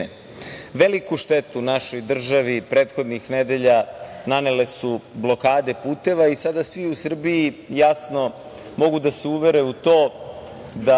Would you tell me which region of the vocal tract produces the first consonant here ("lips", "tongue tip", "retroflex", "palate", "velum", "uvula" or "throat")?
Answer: lips